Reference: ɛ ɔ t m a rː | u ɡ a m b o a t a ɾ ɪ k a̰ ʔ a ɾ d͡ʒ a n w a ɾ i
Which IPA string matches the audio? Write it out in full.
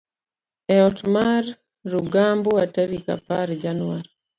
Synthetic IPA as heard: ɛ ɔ t m a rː | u ɡ a m b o a t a ɾ i k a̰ p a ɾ d͡ʒ a n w a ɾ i